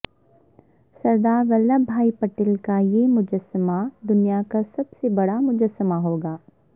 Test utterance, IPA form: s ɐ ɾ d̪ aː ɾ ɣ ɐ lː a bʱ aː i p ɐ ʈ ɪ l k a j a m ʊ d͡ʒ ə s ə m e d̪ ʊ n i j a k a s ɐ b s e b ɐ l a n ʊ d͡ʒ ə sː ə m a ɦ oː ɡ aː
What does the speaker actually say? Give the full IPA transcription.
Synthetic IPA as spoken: s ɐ ɾ d̪ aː ɾ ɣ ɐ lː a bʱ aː i p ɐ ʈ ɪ l k a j e m ʊ d͡ʒ ə s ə m a d̪ ʊ n i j a k a s ɐ b s e b ɐ ɽ a m ʊ d͡ʒ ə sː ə m a ɦ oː ɡ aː